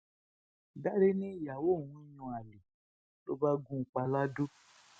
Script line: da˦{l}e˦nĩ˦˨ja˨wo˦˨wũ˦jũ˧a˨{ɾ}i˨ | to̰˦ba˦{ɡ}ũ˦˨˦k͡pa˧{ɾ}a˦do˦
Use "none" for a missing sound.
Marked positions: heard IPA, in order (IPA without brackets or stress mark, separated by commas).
ɾ, l, ɡ, l